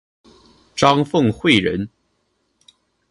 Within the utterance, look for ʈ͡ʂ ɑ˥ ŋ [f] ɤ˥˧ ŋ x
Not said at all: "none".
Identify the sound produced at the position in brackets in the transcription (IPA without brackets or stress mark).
f